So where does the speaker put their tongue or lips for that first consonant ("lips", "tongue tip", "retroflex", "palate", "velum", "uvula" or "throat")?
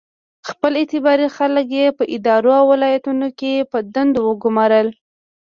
velum